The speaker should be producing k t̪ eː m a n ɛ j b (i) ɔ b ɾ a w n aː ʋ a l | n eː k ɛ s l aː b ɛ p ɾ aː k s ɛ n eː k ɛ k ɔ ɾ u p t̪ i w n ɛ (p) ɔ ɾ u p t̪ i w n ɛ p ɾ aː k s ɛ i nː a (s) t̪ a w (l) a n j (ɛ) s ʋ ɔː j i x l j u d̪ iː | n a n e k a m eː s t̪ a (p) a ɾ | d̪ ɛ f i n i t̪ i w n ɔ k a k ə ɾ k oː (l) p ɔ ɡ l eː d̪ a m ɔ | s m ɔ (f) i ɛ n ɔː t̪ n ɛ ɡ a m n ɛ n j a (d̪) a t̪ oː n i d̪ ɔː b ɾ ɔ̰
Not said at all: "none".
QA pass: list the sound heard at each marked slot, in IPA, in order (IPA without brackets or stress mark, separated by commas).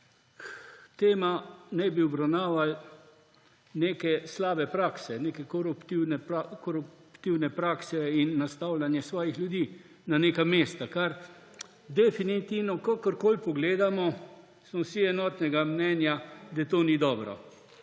i, k, s, l, ɛ, k, l, s, d̪